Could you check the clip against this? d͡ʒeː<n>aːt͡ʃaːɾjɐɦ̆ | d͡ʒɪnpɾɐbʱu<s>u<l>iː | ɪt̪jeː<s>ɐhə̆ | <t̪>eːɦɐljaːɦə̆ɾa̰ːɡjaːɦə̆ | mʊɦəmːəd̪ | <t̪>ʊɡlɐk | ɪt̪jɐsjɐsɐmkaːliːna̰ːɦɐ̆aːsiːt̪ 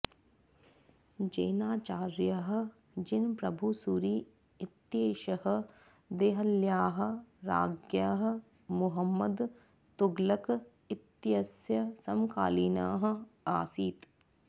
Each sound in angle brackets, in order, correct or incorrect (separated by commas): correct, correct, incorrect, incorrect, incorrect, correct